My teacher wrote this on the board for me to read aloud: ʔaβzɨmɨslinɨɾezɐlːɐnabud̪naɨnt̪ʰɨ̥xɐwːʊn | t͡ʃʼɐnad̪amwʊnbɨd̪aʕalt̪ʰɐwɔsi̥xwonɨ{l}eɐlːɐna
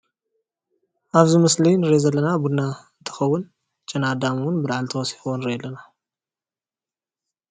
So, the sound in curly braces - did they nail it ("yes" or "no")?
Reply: no